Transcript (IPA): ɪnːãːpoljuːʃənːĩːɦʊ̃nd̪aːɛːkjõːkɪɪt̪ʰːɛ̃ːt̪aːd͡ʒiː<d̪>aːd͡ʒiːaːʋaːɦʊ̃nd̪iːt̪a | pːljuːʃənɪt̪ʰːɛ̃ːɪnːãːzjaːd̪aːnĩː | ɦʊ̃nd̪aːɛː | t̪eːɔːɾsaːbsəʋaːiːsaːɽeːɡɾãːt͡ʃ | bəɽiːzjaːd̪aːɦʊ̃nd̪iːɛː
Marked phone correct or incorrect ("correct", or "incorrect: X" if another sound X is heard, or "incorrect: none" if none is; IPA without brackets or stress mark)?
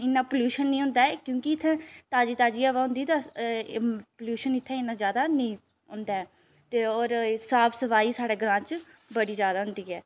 incorrect: t̪